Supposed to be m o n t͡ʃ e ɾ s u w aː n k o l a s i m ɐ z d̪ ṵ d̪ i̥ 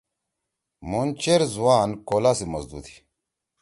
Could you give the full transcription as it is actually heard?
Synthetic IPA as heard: m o n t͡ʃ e ɾ z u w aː n k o l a s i m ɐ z d̪ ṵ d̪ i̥